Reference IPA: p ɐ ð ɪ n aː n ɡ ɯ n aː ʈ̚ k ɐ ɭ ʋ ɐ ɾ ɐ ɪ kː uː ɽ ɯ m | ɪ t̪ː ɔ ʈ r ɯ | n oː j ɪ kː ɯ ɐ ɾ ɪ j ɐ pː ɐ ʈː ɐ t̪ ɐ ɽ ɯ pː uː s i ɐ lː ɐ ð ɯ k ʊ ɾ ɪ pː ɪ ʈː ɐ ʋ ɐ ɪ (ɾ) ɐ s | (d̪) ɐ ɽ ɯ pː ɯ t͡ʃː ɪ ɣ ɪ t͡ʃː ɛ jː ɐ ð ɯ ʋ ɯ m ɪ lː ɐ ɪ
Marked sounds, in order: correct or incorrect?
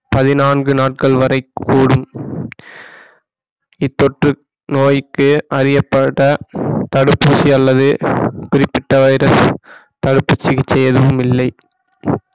correct, incorrect: t̪

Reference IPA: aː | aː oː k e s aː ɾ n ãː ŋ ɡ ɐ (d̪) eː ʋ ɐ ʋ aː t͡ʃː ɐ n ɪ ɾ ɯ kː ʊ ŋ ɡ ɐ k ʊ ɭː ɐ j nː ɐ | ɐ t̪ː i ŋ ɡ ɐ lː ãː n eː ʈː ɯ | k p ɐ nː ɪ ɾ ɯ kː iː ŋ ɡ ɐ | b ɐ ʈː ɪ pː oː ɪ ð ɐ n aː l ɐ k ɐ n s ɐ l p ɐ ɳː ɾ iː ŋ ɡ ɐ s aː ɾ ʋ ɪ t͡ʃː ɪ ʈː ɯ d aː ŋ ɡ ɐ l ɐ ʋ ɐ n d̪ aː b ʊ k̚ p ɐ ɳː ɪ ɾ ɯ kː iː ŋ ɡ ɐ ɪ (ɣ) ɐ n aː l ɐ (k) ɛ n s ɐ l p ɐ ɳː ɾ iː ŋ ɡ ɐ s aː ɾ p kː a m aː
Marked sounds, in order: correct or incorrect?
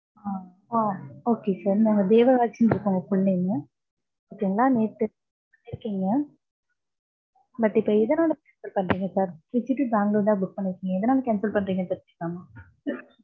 correct, incorrect: ð, correct

